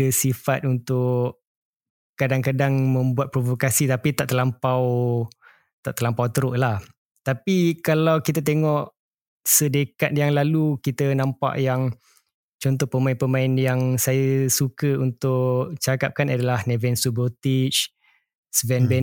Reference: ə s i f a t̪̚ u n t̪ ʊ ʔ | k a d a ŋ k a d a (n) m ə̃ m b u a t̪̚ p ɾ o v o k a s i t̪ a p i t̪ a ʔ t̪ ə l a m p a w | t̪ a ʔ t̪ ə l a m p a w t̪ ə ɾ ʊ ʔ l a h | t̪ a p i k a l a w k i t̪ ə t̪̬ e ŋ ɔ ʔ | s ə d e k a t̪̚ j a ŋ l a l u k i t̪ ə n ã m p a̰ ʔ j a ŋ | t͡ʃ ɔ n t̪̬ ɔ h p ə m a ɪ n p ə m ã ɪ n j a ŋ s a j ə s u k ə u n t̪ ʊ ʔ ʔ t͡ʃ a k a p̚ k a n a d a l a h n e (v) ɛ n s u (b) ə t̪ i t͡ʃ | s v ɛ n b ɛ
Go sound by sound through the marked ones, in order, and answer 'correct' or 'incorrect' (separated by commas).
incorrect, correct, correct